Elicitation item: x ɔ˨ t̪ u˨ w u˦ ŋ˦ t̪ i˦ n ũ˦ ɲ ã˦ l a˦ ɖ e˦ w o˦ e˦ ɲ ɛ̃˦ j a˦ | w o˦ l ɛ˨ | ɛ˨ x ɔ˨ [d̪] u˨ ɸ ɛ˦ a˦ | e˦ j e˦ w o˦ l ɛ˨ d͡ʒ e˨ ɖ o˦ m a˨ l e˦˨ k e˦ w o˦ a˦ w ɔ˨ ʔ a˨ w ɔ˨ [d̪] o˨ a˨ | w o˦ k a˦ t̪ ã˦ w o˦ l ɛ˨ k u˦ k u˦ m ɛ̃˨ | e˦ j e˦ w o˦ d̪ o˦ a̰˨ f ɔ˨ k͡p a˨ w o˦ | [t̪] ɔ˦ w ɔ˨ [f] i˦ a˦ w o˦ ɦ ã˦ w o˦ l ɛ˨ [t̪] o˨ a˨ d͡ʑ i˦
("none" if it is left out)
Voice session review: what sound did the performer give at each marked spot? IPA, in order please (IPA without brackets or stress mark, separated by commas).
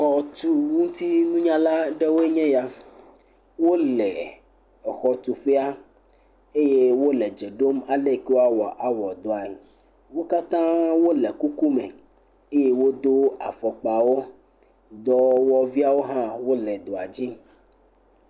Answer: t̪, d̪, d̪, v, d̪